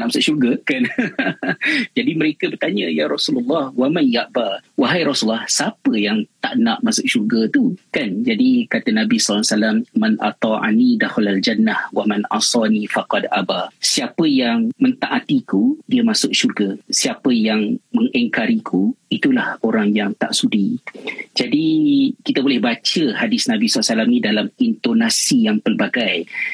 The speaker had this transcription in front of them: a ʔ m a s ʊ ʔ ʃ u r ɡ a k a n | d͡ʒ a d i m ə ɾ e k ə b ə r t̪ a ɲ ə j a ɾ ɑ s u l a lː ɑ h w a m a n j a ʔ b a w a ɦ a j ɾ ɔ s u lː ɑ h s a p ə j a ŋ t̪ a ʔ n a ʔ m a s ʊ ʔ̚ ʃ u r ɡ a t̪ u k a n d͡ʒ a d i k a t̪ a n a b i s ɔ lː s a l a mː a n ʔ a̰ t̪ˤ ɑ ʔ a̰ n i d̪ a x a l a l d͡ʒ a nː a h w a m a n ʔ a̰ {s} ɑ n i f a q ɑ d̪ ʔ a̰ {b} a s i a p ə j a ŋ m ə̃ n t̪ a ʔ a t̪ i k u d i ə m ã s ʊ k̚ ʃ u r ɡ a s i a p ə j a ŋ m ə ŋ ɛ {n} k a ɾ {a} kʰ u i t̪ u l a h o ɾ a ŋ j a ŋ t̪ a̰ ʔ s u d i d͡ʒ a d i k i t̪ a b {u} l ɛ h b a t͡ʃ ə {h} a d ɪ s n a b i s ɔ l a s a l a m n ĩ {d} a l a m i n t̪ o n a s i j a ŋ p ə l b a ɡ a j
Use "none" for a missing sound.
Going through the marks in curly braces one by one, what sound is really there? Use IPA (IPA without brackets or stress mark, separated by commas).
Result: s, b, ŋ, i, o, h, d